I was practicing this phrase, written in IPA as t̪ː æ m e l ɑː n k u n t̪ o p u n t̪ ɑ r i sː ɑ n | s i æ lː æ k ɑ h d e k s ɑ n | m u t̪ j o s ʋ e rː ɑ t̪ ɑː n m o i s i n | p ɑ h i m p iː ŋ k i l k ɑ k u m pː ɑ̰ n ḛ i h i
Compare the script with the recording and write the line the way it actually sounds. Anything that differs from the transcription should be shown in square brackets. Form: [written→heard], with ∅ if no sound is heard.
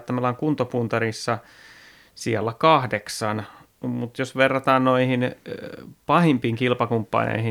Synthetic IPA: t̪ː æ m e l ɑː [n→ŋ] k u n t̪ o p u n t̪ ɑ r i sː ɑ [n→∅] | s i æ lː æ k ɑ h d e k s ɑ n | m u t̪ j o s ʋ e rː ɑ t̪ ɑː n [m→n] o i [s→h] i n | p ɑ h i m p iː ŋ k i l [k→p] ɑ k u m pː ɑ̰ n ḛ i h i